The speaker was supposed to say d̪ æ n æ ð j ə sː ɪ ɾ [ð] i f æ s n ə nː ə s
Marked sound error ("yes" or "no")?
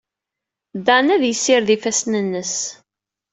no